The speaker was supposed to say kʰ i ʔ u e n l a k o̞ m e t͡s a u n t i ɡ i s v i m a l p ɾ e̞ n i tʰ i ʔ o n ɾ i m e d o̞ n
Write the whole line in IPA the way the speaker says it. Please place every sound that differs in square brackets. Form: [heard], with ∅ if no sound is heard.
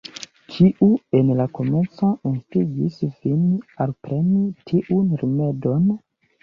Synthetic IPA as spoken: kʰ i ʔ u e n l a k o̞ m e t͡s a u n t i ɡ i s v i [n] a l p ɾ e̞ n i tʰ i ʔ [u] n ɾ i m e d o̞ n